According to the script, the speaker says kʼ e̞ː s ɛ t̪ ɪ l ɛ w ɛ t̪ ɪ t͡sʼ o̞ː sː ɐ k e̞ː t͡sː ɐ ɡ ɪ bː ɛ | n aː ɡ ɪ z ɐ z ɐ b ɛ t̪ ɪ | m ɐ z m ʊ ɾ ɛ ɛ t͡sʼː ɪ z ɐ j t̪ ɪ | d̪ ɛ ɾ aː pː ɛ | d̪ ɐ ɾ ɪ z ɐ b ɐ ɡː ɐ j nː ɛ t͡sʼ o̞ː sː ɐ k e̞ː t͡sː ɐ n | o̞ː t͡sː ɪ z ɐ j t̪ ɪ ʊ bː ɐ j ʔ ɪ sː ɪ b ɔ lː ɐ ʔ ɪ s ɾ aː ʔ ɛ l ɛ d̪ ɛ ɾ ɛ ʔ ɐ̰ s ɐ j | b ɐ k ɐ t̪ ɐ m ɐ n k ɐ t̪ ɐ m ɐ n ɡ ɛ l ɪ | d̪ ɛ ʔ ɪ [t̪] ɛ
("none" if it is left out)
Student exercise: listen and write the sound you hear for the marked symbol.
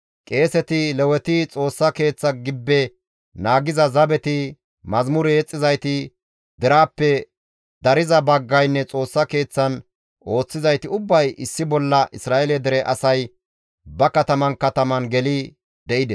d̪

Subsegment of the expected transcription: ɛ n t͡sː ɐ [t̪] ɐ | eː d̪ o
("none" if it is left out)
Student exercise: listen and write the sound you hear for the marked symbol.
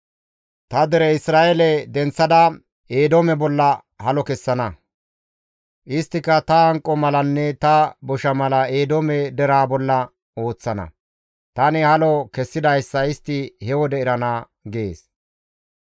d̪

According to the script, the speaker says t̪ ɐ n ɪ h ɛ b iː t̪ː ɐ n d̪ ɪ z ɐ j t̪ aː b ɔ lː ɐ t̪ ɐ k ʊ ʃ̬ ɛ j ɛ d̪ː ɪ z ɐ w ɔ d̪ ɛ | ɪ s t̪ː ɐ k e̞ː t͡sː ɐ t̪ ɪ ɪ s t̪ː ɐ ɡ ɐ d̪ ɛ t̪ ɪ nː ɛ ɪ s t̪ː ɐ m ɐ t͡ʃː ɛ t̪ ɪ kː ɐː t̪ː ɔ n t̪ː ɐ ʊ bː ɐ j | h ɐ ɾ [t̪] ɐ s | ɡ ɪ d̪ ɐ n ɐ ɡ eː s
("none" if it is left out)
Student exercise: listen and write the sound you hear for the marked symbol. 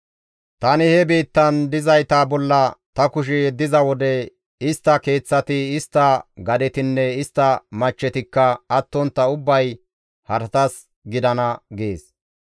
t̪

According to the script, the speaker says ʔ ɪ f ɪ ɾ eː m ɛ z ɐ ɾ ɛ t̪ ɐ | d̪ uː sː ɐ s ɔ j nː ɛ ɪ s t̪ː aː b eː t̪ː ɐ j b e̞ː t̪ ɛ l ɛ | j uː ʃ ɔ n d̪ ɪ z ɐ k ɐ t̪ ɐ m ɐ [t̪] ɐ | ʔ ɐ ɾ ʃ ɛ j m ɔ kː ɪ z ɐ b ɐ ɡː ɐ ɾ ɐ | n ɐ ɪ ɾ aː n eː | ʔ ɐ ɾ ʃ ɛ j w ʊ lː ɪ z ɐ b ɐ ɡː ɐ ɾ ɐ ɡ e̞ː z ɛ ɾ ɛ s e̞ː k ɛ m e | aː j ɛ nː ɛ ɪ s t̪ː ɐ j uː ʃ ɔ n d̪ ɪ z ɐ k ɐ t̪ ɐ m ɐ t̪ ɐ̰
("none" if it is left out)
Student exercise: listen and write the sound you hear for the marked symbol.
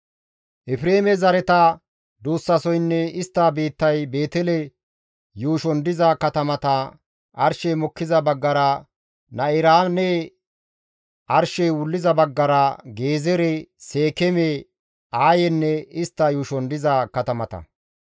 t̪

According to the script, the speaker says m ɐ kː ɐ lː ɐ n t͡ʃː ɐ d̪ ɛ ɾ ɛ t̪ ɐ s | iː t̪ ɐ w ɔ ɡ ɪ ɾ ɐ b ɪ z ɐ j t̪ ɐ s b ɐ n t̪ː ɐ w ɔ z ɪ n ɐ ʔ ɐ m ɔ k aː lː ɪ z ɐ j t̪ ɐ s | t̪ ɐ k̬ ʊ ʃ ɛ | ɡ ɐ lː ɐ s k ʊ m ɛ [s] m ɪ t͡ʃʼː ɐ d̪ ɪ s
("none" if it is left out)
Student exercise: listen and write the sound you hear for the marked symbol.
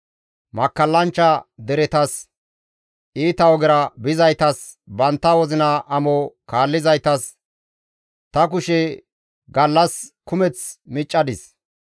t͡s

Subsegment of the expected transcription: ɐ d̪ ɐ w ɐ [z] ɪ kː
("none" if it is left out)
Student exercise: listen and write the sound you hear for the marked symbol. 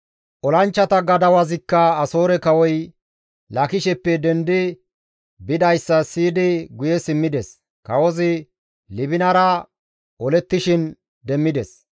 z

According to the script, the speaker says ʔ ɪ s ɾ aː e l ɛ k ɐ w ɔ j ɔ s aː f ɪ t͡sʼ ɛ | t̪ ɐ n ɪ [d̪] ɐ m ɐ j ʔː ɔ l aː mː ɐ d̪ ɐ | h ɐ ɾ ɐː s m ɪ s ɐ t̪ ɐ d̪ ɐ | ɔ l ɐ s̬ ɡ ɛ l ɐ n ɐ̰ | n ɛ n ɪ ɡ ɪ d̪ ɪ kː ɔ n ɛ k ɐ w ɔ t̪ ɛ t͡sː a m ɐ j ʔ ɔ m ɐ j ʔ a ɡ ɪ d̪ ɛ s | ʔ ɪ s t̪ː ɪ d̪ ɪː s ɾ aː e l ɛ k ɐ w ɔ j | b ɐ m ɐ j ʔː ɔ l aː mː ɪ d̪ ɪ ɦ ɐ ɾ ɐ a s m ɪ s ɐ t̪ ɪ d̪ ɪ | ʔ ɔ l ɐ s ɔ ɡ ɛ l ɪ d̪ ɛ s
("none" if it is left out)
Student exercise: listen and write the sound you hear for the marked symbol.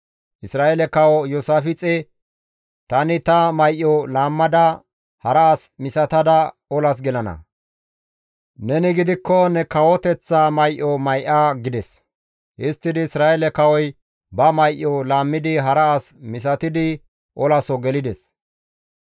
t̪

